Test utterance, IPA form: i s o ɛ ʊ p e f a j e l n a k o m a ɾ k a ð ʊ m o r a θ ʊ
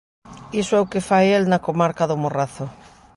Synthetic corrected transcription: i s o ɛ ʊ k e f a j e l n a k o m a ɾ k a ð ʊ m o r a θ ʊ